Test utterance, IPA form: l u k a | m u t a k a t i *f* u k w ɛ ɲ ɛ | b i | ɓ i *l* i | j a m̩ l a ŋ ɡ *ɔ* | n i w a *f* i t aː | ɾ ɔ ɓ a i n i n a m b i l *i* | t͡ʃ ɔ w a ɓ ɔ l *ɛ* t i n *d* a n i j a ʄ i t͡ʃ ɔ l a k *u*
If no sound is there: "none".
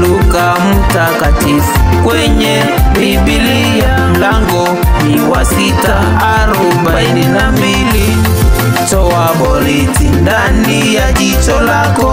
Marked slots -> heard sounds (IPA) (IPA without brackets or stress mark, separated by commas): f, l, ɔ, s, i, i, d, ɔ